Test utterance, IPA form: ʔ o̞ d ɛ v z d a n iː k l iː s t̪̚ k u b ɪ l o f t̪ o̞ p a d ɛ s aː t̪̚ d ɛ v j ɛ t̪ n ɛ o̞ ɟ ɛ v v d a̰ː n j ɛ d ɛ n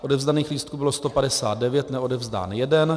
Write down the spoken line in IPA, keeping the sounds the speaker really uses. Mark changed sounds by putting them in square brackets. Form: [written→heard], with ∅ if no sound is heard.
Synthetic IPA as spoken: ʔ o̞ d ɛ v z d a n iː [k→x] l iː s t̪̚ k u b ɪ l o [f→s] t̪ o̞ p a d ɛ s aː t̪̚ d ɛ v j ɛ t̪ n ɛ o̞ [ɟ→d] ɛ v [v→z] d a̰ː n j ɛ d ɛ n